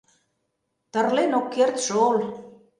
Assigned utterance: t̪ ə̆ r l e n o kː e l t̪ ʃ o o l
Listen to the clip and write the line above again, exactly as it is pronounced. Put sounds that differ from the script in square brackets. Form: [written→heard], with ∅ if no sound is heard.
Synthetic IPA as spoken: t̪ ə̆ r l e n o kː e [l→r] t̪ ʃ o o l